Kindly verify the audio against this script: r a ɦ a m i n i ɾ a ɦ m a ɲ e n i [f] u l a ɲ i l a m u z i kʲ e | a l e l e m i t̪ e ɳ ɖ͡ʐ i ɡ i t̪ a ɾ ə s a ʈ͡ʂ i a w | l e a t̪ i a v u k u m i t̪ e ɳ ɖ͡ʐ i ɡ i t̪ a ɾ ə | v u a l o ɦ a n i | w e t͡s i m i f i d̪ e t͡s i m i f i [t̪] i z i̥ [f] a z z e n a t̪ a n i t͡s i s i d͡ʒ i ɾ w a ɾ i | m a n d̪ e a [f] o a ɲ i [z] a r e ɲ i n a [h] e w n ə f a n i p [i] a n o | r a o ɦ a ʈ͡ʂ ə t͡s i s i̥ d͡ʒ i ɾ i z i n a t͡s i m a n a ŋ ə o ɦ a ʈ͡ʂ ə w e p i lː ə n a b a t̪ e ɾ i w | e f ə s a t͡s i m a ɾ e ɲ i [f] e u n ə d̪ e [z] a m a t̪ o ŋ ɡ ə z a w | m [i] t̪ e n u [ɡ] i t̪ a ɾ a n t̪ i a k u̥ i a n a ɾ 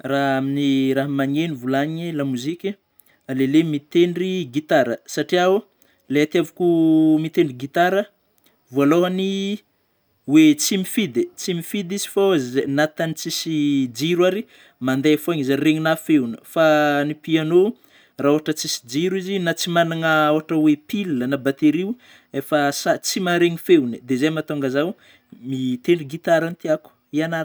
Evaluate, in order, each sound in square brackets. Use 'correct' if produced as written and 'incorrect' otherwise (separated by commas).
incorrect, incorrect, correct, correct, correct, incorrect, correct, correct, correct, correct, correct